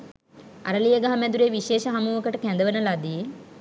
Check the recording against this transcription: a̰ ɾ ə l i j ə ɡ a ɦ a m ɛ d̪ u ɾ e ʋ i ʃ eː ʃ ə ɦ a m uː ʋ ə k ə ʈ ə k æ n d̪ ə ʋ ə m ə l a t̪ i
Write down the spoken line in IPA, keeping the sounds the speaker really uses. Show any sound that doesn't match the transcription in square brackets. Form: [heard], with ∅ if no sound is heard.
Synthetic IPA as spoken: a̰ ɾ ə l i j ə ɡ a ɦ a m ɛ d̪ u ɾ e ʋ i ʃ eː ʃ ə ɦ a m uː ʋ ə k ə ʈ ə k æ n d̪ ə ʋ ə [n] ə l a [d̪] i